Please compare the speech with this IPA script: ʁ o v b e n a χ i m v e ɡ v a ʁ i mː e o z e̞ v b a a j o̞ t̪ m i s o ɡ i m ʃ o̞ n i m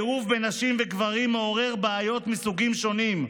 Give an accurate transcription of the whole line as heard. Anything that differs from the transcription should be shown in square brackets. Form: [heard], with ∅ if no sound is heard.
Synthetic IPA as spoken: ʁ [u] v b e n a [ʃ] i m v e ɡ v a ʁ i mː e o [ʁ] e̞ [ʁ] b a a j o̞ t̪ m i s [u] ɡ i m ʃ o̞ n i m